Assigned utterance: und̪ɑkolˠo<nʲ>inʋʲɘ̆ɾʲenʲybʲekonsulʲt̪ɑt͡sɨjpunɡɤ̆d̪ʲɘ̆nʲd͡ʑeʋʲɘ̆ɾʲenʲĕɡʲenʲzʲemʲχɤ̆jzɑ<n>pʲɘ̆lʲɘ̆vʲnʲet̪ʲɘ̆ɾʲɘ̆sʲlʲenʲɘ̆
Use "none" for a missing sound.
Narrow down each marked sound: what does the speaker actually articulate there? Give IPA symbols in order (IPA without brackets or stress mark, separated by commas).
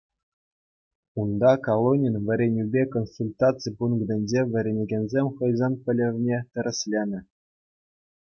nʲ, n